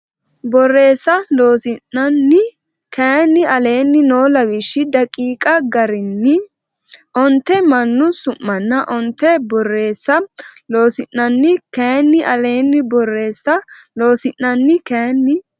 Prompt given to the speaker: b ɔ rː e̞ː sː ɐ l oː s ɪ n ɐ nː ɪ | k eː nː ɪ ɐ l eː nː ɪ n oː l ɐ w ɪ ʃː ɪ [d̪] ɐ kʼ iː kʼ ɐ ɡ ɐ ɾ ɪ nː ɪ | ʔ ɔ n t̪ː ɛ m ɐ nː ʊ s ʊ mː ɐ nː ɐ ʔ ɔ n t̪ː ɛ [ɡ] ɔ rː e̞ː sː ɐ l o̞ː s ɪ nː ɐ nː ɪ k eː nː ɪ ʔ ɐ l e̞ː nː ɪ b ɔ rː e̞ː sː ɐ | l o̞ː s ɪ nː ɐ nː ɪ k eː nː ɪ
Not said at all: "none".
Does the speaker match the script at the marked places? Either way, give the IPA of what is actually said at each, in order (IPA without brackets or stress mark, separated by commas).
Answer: d̪, b